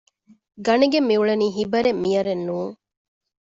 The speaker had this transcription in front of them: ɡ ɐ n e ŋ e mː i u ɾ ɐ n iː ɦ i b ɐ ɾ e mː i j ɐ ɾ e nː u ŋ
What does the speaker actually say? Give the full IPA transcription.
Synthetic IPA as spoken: ɡ ɐ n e ɡ e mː i u ɭ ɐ n iː ɦ i b ɐ ɾ e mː i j ɐ ɾ e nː uː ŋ